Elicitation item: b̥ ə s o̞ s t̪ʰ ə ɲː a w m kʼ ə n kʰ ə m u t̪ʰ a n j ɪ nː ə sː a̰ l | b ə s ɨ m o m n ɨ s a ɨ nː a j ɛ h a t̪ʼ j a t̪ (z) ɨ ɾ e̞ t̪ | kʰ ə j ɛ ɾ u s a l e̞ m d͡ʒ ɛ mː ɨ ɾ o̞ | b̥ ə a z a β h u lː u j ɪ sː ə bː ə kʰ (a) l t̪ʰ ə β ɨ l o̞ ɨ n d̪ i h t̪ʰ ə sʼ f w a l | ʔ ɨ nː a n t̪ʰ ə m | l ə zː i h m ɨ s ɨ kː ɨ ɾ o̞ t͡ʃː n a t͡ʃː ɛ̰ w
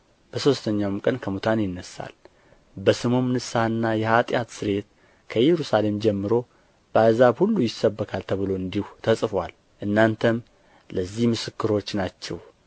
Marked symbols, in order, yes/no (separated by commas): no, yes